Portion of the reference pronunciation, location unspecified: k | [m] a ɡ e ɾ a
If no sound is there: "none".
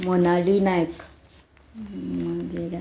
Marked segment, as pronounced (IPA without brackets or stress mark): m